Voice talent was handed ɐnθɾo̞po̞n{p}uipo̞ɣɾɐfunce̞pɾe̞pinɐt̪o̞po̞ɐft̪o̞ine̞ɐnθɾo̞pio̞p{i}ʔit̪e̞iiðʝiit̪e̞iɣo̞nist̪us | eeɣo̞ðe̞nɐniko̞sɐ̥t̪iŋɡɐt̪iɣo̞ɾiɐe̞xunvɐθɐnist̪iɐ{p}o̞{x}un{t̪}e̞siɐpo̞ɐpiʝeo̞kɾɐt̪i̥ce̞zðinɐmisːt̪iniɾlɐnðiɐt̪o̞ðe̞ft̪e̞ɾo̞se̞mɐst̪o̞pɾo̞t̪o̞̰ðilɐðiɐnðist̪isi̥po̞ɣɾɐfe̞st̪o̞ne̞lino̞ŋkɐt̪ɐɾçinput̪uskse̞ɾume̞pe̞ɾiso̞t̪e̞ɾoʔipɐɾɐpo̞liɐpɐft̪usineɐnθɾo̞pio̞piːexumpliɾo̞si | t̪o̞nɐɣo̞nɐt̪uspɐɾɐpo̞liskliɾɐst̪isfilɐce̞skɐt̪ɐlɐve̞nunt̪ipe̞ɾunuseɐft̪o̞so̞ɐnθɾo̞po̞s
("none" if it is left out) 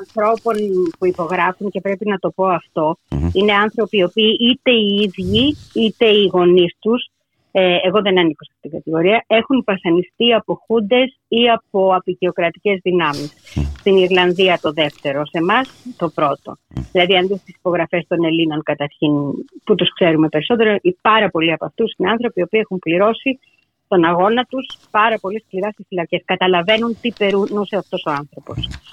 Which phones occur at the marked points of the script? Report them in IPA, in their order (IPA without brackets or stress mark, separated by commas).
p, iː, p, x, d̪